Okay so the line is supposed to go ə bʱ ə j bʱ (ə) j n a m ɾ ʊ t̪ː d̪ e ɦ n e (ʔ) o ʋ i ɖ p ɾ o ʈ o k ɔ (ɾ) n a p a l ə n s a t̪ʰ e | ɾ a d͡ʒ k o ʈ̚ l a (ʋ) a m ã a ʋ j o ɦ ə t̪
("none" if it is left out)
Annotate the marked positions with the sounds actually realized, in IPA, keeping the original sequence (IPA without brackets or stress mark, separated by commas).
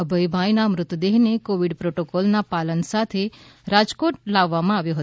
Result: a, k, l, ʋː